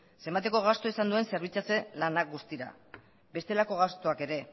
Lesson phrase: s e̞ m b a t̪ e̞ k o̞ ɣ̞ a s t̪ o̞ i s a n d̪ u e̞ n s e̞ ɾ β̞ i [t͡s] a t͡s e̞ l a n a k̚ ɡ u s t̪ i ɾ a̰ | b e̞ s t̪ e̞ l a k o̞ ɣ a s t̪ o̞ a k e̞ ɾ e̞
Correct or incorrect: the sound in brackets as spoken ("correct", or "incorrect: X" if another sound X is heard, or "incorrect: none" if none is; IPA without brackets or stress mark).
correct